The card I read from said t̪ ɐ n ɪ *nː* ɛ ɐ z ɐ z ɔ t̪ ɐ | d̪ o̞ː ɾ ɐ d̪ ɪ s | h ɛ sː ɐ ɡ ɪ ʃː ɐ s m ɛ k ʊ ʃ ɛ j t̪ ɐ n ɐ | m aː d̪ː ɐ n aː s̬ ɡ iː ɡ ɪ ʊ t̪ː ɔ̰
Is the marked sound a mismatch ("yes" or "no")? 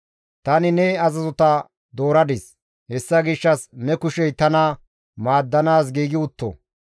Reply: yes